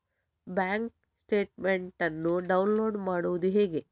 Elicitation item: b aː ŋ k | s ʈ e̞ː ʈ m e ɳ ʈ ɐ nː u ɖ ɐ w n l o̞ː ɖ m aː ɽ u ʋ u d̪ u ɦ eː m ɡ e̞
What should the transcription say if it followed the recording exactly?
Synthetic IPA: b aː ŋ k | s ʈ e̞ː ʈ m e ɳ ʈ ɐ nː u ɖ ɐ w n l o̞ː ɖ m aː ɽ u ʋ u d̪ u ɦ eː ɡ e̞